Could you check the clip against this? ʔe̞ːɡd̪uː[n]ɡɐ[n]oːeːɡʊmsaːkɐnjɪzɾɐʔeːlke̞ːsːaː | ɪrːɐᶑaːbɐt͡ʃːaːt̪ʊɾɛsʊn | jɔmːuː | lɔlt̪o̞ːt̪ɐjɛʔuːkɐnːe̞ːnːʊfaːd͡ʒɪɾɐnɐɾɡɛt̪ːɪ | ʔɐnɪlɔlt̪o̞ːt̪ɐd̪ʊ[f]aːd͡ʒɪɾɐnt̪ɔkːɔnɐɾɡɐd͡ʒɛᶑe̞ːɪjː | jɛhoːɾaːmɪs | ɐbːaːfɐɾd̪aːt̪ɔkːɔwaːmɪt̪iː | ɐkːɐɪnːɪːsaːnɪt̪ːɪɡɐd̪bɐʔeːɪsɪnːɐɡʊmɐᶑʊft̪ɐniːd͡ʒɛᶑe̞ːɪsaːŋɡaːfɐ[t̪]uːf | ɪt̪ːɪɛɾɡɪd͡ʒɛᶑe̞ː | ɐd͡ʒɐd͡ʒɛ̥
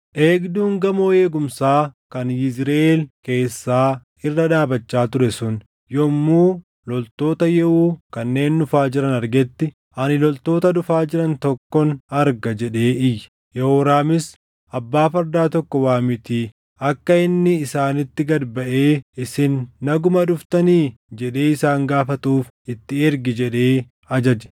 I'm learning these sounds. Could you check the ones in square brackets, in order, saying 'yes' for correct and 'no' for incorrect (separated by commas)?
no, no, yes, yes